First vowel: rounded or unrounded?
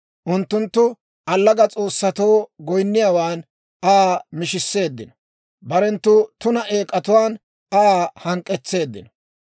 rounded